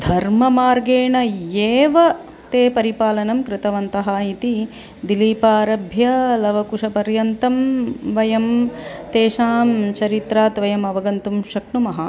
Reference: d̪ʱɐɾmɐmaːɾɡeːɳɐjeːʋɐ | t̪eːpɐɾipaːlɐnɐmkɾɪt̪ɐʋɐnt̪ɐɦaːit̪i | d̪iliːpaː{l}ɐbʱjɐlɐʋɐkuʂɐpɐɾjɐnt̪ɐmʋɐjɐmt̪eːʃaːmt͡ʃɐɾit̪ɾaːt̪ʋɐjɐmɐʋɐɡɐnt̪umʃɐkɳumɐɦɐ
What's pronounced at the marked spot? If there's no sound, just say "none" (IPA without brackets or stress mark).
ɾ